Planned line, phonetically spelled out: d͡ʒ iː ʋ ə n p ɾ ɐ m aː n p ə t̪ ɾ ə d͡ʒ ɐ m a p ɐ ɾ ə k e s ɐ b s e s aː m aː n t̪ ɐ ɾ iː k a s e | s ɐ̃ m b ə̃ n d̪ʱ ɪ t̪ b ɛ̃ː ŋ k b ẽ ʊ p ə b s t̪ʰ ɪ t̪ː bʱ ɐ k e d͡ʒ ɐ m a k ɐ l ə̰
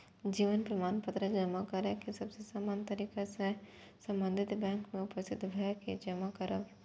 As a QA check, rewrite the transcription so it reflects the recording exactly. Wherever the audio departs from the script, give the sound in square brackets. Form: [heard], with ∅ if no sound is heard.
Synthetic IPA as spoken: d͡ʒ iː ʋ ə n p ɾ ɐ m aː n p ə t̪ ɾ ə d͡ʒ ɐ m a [k] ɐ ɾ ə k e s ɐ b s e s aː m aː n t̪ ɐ ɾ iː k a s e | s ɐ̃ m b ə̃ n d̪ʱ ɪ t̪ b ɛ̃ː ŋ k [m] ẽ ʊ p ə [∅] s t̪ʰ ɪ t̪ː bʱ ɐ k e d͡ʒ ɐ m a k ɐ [ɾ] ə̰